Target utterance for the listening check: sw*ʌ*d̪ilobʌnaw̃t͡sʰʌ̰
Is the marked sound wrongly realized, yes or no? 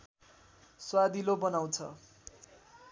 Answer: yes